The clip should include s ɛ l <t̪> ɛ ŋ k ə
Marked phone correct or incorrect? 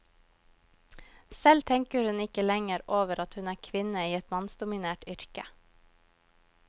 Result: incorrect: t̪ʰ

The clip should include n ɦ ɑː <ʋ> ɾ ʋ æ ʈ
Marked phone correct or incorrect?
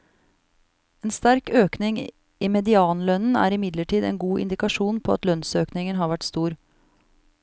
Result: incorrect: none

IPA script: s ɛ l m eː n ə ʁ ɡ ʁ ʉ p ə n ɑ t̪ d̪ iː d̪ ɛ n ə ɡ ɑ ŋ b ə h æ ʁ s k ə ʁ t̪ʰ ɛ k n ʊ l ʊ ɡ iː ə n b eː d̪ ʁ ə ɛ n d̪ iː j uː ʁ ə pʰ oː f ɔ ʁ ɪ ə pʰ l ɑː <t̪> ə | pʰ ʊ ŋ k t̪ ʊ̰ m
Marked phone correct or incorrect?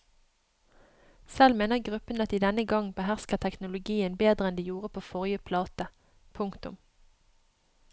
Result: correct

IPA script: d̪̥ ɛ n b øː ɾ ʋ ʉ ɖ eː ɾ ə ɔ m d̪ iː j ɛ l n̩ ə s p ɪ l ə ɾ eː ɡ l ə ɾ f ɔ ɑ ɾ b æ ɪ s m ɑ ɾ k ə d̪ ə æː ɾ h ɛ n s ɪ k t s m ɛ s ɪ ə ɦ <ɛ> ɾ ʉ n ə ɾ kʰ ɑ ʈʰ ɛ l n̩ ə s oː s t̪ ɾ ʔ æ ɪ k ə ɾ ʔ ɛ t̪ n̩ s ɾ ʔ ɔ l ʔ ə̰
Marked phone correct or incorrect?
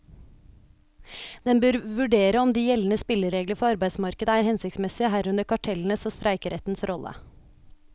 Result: incorrect: æ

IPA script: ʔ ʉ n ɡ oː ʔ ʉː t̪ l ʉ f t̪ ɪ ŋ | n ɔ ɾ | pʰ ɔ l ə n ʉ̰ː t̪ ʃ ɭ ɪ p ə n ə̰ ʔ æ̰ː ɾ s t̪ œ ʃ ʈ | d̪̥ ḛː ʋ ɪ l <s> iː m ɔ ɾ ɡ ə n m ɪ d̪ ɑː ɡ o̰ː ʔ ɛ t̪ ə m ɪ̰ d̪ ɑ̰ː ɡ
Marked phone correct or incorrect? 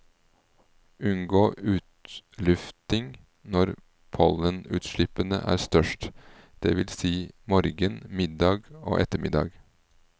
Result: correct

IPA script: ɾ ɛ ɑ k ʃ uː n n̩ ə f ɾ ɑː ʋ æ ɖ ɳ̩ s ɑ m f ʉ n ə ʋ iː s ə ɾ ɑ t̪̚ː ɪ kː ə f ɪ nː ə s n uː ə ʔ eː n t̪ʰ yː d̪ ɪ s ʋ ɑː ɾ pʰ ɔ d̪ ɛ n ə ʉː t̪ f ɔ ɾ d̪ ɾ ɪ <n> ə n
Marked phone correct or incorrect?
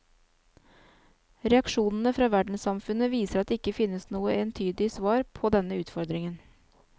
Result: incorrect: ŋ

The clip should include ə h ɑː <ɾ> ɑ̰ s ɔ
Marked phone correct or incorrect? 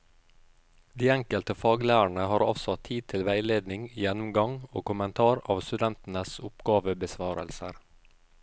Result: correct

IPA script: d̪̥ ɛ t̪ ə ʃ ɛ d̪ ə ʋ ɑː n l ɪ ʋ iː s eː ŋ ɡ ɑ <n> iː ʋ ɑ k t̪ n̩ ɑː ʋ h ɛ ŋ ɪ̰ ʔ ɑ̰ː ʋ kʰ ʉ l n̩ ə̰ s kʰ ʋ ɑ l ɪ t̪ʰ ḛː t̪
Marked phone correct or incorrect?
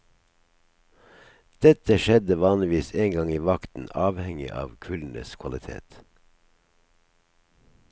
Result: incorrect: ŋ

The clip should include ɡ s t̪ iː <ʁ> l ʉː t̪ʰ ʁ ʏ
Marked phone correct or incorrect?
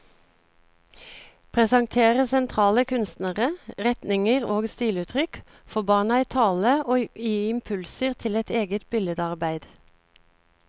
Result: incorrect: none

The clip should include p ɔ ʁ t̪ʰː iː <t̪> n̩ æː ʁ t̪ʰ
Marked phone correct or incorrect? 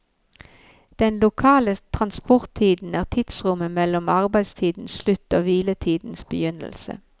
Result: incorrect: d̪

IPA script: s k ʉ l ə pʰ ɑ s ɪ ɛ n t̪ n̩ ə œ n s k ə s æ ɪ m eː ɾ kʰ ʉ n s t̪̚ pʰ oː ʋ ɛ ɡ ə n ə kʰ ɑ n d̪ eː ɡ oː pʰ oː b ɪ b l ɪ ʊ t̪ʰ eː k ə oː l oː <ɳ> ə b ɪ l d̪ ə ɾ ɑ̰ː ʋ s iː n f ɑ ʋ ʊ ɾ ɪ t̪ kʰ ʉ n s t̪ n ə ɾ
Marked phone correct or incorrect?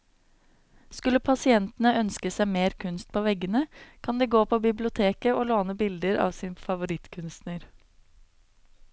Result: incorrect: n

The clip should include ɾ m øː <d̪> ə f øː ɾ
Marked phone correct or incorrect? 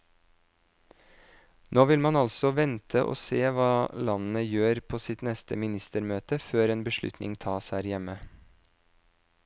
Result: incorrect: t̪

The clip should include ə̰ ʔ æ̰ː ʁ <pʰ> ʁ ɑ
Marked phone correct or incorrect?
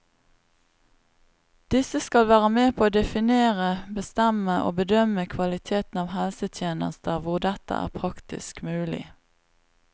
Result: correct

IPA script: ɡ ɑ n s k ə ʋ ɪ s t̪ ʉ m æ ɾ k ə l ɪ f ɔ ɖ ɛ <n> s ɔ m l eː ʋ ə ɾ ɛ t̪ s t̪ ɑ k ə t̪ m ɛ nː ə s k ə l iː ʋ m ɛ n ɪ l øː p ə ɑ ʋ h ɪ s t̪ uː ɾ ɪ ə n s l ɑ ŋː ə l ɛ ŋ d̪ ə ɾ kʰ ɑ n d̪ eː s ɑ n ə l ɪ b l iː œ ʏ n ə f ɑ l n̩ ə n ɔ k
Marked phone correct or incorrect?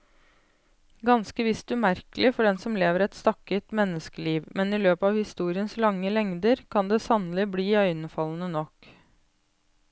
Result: correct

